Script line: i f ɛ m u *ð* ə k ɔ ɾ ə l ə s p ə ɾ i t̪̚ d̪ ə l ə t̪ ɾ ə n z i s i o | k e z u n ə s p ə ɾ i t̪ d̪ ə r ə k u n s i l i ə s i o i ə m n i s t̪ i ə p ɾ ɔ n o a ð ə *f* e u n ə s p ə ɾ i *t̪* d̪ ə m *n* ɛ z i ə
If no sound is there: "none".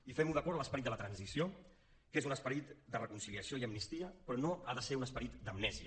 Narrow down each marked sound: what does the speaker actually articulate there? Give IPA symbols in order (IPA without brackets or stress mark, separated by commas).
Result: ð, s, t̪, n